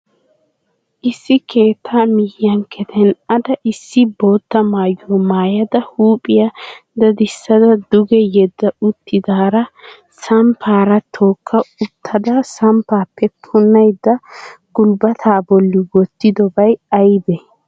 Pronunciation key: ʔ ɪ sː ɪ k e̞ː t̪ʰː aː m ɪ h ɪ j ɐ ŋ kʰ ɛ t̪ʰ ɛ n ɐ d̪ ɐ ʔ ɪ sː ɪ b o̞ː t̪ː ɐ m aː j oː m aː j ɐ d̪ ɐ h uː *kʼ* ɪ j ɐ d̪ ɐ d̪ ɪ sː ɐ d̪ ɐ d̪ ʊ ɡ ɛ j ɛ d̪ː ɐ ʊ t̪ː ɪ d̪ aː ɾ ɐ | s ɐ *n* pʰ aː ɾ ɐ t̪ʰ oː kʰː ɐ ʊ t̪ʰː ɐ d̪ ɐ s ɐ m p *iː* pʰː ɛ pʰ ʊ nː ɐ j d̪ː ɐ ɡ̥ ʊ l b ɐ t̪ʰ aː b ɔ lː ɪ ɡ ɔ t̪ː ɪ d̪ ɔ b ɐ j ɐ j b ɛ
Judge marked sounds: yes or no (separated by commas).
no, no, no